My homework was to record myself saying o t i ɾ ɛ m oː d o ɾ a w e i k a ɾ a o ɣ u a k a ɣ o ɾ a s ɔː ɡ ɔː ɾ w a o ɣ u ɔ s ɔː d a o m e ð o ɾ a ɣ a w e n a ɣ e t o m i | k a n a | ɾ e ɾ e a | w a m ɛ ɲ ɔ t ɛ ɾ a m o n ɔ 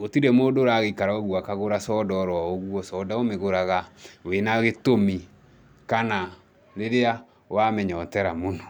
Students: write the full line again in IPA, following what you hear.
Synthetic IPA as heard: o t i ɾ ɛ m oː d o ɾ a ɣ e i k a ɾ a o ɣ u a k a ɣ o ɾ a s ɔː d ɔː ɾ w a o ɣ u ɔ s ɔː d a o m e ɣ o ɾ a ɣ a w e n a ɣ e t o m i | k a n a | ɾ e ɾ e a | w a m ɛ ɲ ɔ t ɛ ɾ a m o n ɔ